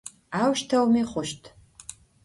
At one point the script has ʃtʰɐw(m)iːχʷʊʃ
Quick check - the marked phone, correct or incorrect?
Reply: correct